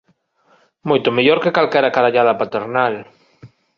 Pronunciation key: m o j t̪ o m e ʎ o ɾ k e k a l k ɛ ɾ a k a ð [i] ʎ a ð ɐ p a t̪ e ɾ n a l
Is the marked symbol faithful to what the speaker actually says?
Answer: no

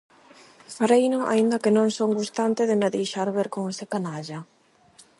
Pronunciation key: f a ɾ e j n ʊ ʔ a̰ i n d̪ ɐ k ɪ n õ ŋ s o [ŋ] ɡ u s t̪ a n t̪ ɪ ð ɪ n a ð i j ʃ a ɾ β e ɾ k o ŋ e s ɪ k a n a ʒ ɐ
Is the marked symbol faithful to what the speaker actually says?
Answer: yes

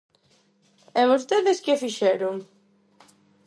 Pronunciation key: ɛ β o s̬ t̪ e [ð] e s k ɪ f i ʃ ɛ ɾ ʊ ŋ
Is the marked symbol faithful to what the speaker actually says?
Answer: yes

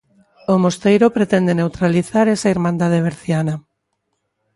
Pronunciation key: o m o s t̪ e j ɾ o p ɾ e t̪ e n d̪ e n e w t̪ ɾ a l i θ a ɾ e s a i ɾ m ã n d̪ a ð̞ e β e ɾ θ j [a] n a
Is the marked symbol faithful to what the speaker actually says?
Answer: yes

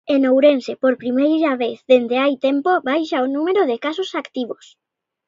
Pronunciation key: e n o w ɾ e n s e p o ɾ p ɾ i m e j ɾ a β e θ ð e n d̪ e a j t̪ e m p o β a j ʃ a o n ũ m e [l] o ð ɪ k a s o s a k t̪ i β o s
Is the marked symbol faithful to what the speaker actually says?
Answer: no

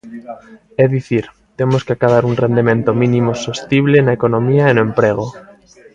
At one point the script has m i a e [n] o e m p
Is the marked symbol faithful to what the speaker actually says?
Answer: yes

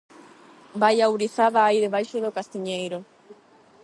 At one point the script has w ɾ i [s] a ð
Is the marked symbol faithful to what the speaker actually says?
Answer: no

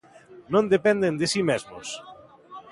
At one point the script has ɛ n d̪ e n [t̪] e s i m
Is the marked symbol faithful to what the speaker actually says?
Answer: no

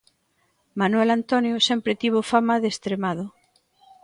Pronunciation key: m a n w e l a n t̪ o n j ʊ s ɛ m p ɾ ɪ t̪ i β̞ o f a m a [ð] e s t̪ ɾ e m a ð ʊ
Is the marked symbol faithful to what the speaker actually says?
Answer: yes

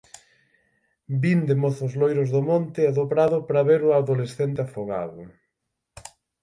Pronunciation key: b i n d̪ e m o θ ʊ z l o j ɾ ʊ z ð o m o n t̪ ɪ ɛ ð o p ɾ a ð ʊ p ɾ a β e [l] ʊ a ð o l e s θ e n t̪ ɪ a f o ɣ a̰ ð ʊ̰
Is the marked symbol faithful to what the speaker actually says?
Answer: no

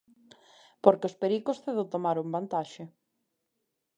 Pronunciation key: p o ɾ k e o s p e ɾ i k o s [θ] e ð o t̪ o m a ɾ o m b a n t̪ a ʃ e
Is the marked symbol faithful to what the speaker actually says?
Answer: yes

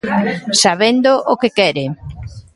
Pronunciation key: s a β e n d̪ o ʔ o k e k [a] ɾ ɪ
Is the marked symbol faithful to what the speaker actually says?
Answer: no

